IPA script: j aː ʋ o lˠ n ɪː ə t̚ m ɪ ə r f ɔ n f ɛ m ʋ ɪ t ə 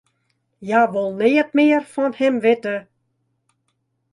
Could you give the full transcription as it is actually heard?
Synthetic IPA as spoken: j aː ʋ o lˠ n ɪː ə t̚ m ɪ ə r f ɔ n h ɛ m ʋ ɪ t ə